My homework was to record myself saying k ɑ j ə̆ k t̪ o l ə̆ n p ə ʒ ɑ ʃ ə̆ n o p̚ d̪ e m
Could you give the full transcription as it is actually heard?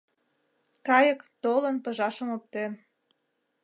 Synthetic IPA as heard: k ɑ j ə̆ k t̪ o l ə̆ n p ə ʒ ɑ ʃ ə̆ m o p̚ t̪ e n